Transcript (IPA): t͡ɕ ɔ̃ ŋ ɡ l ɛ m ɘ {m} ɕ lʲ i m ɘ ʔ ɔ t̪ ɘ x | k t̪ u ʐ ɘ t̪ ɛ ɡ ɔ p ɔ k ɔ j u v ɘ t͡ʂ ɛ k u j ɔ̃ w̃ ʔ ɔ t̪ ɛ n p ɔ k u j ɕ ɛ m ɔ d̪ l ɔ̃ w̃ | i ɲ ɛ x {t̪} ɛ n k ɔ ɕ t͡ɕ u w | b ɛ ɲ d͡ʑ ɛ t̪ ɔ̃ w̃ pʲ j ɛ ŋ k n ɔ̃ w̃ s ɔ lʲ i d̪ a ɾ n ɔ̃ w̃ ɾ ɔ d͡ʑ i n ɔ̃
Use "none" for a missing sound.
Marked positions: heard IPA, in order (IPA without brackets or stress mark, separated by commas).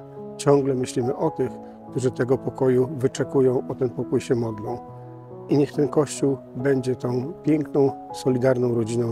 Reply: none, t̪